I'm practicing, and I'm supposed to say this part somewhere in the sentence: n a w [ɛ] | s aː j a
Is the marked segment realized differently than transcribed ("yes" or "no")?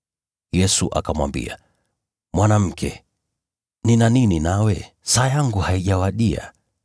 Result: no